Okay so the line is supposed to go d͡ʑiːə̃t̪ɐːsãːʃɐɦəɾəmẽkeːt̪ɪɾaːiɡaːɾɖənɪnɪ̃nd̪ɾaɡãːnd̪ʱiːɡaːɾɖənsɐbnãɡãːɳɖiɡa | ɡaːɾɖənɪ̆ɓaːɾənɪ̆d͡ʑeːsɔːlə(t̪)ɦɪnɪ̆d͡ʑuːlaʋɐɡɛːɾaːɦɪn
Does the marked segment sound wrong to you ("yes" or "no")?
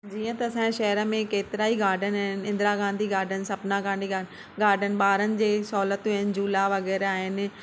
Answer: no